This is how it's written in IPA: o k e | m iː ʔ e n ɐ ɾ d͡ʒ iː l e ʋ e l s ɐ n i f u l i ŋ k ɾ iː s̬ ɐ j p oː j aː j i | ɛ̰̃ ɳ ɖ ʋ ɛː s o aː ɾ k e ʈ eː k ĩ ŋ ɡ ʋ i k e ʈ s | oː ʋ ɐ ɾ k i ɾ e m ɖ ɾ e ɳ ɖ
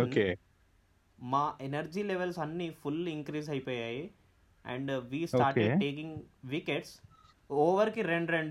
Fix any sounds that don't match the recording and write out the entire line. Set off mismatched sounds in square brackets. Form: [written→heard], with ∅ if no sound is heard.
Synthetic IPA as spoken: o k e | m [iː→aː] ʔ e n ɐ ɾ d͡ʒ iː l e ʋ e l s ɐ [n→nː] i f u l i ŋ k ɾ iː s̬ ɐ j p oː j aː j i | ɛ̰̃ ɳ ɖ ʋ [ɛː→iː] s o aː ɾ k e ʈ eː k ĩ ŋ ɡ ʋ i k e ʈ s | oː ʋ ɐ ɾ k i ɾ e [m→ɳ] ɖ ɾ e ɳ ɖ